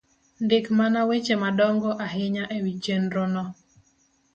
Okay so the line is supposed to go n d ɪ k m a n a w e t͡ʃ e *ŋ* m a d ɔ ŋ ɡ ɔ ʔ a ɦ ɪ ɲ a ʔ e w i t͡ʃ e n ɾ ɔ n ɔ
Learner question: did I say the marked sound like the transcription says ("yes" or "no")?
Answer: no